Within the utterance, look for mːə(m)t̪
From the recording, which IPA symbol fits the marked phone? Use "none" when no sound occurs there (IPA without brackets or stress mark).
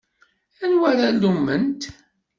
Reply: n